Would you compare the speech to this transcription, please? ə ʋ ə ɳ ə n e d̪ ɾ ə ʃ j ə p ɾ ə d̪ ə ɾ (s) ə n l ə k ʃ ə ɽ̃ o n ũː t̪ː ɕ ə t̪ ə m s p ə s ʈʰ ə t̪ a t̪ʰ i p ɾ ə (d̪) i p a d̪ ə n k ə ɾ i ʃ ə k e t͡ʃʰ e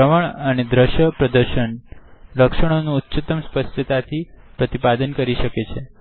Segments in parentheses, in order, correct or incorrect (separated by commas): incorrect, incorrect